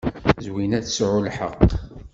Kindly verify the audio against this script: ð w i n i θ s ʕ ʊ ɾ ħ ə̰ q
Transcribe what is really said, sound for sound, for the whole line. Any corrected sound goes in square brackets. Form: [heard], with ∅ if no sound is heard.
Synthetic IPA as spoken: [z] w i n [æ] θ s ʕ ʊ [l] ħ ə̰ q